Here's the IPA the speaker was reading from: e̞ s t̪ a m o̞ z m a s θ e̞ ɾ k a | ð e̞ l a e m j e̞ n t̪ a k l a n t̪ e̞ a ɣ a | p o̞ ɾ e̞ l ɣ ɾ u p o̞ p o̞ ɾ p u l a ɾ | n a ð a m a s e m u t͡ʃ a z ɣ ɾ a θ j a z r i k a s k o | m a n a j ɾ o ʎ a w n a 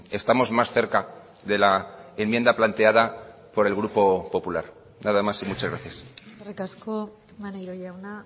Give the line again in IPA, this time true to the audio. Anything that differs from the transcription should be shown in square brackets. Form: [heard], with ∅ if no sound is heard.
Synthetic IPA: e̞ s t̪ a m o̞ z m a s θ e̞ ɾ k a | ð e̞ l a e m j e̞ n [d̪] a [p] l a n t̪ e̞ a [ð] a | p o̞ ɾ e̞ l ɣ ɾ u p o̞ p o̞ [∅] p u l a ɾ | n a ð a m a s [i] m u t͡ʃ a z ɣ ɾ a θ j a [s] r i k a s k o | m a n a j ɾ o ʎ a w n a